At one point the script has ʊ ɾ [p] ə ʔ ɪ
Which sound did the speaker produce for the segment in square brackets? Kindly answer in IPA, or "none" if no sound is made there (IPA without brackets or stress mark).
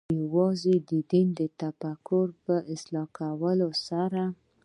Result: p